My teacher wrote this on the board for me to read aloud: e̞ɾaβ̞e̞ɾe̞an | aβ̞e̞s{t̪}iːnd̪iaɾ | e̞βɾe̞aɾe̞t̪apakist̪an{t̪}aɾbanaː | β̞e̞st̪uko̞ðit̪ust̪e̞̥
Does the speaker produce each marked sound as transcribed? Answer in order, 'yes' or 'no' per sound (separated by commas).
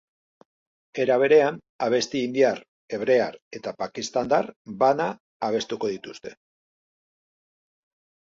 yes, no